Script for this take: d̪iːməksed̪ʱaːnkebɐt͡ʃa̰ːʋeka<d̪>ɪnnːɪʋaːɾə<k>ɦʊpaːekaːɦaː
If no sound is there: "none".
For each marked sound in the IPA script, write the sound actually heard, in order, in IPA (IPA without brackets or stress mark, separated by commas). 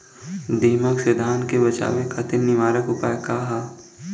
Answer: t̪, k